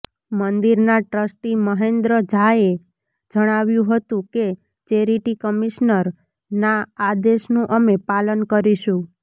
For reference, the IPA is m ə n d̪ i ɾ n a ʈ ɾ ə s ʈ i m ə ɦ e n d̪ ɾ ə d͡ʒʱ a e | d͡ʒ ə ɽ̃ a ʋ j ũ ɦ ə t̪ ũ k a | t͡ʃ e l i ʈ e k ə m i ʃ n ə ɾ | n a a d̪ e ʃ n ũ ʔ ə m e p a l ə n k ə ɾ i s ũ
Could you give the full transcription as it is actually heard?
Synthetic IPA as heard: m ə n d̪ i ɾ n a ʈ ɾ ə s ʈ i m ə ɦ e n d̪ ɾ ə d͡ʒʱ a e | d͡ʒ ə ɽ̃ a ʋ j ũ ɦ ə t̪ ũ k e | t͡ʃ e ɾ i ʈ i k ə m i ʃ n ə ɾ | n a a d̪ e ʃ n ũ ʔ ə m e p a l ə n k ə ɾ i ʃ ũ